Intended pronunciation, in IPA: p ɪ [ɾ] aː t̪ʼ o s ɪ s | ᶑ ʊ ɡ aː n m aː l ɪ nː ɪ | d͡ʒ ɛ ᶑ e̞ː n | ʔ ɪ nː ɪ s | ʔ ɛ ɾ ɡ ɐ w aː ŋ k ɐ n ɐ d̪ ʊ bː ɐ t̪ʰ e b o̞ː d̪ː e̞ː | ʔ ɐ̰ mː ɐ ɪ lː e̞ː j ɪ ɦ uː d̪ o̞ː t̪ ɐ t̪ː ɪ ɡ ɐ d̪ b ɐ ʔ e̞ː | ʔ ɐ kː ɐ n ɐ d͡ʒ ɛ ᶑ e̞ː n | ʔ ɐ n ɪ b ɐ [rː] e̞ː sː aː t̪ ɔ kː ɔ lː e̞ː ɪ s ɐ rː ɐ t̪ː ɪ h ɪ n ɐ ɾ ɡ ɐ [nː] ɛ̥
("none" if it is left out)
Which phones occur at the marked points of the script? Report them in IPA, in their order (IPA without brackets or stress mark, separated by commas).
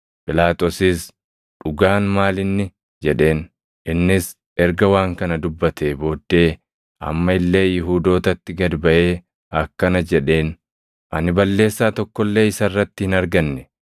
l, lː, nː